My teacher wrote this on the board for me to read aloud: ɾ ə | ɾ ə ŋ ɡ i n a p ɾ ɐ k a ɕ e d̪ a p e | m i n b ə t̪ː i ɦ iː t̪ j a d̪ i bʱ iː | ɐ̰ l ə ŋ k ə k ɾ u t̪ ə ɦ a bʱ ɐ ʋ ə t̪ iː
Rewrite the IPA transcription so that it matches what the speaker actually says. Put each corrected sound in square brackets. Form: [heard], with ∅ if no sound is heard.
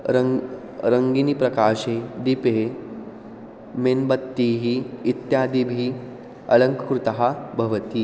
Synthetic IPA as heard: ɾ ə | ɾ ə ŋ ɡ i n [i] p ɾ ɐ k a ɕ e d̪ [i] p e | m [e] n b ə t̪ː i ɦ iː t̪ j a d̪ i bʱ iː | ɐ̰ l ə ŋ k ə k ɾ u t̪ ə ɦ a bʱ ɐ ʋ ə t̪ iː